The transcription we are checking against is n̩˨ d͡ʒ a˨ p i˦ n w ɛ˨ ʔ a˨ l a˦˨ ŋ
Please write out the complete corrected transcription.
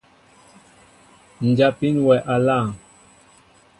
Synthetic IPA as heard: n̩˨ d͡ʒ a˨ p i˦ n w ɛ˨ ʔ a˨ l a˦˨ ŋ